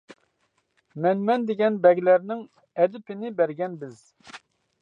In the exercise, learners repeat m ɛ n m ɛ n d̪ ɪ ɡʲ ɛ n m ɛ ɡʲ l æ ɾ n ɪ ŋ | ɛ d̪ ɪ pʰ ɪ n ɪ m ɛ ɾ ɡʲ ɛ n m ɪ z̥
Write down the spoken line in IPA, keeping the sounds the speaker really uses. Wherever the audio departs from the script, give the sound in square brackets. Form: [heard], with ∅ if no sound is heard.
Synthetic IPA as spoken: m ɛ n m ɛ n d̪ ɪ ɡʲ ɛ n [b] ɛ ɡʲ l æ ɾ n ɪ ŋ | ɛ d̪ ɪ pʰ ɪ n ɪ [b] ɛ ɾ ɡʲ ɛ n [b] ɪ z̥